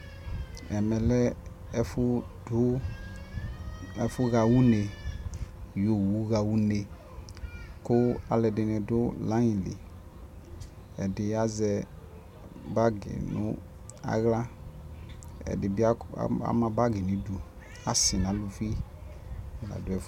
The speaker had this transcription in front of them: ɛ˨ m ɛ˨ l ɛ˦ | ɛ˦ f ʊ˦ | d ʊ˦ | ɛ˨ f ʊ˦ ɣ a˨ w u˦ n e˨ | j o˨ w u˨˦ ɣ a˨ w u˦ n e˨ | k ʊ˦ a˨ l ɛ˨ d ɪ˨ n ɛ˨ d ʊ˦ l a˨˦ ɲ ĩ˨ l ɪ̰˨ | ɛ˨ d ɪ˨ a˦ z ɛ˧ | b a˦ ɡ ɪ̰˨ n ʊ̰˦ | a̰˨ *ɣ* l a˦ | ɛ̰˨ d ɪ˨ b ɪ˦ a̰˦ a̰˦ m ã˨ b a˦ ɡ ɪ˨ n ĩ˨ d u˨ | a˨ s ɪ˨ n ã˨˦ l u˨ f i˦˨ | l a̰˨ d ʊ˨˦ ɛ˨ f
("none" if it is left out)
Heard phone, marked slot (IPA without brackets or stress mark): ɣ